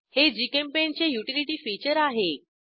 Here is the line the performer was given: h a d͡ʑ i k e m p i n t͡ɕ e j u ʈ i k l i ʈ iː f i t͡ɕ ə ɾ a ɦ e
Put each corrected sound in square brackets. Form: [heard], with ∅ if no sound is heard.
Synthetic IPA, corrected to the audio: h [e] d͡ʑ i k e m p [e] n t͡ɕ e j u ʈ i [∅] l i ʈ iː f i t͡ɕ ə ɾ a ɦ e